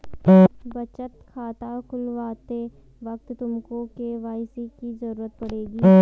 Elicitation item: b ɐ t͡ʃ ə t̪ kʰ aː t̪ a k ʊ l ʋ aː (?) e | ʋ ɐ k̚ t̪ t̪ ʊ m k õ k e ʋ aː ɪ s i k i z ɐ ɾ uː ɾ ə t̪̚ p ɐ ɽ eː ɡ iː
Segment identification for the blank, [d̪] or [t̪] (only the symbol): t̪